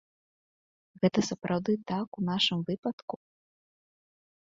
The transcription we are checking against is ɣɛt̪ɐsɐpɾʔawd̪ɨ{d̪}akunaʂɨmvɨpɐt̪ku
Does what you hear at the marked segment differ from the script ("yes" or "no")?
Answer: yes